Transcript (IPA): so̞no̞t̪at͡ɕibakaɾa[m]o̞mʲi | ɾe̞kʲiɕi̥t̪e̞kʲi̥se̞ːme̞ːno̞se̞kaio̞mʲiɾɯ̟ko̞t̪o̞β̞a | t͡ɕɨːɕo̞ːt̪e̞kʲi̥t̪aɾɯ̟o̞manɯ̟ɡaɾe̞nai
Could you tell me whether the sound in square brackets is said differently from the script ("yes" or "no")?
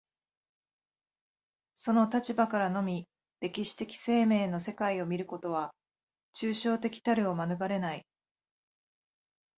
yes